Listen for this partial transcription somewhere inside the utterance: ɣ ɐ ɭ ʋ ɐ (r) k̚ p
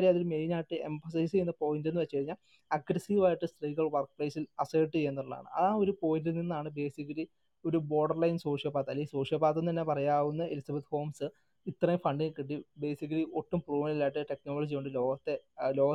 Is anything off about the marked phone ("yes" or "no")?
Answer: no